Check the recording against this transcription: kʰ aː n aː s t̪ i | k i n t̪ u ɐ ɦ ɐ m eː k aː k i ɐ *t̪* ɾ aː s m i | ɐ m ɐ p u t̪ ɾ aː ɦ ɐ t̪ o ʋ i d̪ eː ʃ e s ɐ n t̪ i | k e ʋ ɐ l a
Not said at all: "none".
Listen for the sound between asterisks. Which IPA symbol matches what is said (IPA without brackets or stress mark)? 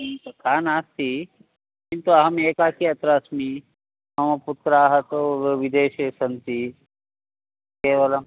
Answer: t̪